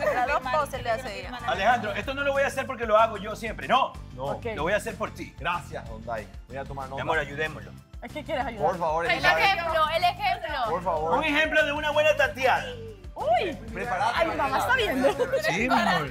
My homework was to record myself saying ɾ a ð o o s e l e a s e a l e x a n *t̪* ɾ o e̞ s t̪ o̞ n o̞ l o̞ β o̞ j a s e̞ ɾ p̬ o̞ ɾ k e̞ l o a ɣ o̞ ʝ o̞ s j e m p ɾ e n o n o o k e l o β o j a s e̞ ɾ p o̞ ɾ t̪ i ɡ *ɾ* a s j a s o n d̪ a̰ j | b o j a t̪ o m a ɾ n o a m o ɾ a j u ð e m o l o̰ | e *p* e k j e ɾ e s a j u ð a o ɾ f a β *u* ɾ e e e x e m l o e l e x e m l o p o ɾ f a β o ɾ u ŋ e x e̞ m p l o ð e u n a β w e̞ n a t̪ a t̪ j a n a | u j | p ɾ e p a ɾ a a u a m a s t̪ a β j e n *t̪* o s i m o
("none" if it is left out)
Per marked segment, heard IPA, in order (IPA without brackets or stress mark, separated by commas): d̪, ɾ, k, o, d̪